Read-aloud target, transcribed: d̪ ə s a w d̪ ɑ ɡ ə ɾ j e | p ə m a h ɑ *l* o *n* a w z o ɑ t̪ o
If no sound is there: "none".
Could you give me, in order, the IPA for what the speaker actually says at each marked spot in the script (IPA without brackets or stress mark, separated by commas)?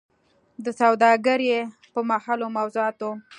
l, m